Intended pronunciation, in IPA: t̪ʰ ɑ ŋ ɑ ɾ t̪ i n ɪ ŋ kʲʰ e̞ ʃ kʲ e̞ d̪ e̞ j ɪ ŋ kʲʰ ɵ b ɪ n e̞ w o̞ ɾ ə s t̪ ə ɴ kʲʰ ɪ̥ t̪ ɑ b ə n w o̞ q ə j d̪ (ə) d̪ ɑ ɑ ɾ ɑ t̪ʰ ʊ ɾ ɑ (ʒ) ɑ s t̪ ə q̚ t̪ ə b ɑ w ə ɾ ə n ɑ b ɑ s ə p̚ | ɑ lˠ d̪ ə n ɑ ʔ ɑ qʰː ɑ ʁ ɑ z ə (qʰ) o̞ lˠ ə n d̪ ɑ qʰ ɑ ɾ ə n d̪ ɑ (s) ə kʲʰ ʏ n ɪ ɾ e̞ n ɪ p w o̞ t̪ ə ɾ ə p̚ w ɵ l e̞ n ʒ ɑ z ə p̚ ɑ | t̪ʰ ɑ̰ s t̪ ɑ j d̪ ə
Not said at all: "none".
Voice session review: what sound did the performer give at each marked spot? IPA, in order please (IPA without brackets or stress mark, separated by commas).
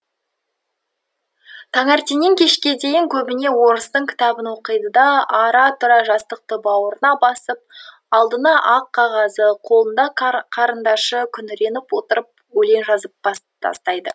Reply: ə, ʒ, qʰ, ʃ